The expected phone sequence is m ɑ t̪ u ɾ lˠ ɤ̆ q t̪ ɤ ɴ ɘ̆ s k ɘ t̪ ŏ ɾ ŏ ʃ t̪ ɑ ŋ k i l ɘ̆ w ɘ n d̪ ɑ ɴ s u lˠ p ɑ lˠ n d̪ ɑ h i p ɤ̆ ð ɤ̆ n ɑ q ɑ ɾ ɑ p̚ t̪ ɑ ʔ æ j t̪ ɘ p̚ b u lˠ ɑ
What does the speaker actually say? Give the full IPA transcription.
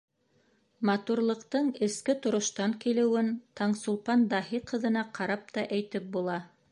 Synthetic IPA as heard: m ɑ t̪ u ɾ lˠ ɤ̆ q t̪ ɤ ɴ ɘ̆ s k ɘ t̪ ŏ ɾ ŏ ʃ t̪ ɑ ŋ k i l ɘ̆ w ɘ n t̪ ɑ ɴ s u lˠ p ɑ n d̪ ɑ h i q ɤ̆ ð ɤ̆ n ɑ q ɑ ɾ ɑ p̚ t̪ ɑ ʔ æ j t̪ ɘ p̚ b u lˠ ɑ